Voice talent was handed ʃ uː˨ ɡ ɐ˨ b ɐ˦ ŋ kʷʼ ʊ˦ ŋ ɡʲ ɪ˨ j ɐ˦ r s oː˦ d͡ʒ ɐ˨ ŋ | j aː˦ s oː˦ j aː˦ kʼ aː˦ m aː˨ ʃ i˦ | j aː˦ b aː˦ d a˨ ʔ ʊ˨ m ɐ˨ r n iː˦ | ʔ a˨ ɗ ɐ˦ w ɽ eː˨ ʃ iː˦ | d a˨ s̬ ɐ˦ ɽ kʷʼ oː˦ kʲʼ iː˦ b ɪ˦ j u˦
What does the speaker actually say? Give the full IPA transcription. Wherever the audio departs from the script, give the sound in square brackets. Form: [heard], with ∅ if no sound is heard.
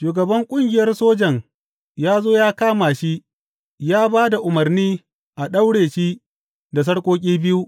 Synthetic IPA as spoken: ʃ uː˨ ɡ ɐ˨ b ɐ˦ ŋ kʷʼ ʊ˦ ŋ ɡʲ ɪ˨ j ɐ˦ r s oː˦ d͡ʒ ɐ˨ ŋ | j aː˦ [z] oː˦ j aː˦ [k] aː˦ m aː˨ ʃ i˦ | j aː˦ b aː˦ d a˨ ʔ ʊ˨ m ɐ˨ r n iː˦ | ʔ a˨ ɗ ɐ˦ w ɽ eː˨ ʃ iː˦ | d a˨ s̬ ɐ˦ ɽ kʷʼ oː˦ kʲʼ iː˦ b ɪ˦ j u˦